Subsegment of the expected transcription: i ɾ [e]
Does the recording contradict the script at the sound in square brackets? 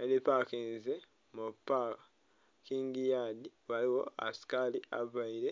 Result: no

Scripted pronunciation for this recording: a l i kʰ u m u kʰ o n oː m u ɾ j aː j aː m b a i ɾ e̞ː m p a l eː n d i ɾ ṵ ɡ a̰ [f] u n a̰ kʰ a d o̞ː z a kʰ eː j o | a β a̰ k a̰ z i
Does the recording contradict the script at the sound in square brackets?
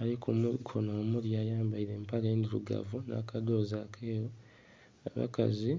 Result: yes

